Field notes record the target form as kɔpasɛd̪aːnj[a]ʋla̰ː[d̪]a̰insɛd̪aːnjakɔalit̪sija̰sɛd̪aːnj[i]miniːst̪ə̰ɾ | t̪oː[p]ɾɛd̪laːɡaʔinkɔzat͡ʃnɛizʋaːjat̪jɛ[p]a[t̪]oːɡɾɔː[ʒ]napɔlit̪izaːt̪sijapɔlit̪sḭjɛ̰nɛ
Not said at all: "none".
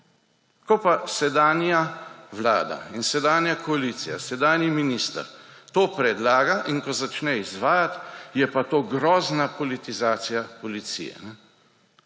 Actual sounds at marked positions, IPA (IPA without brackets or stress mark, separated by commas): a, d̪, i, p, p, t̪, z